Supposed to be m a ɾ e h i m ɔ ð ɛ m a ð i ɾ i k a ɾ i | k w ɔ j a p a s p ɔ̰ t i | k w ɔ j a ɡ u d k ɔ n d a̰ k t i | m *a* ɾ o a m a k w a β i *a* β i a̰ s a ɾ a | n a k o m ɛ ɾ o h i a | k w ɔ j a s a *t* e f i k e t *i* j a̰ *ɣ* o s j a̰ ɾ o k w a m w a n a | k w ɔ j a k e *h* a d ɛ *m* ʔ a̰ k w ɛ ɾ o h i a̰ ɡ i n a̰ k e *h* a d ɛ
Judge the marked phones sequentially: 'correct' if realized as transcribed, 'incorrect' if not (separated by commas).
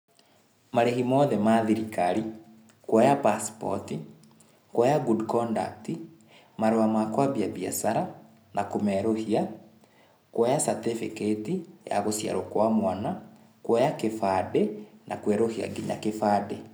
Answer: correct, correct, correct, correct, correct, incorrect, incorrect, incorrect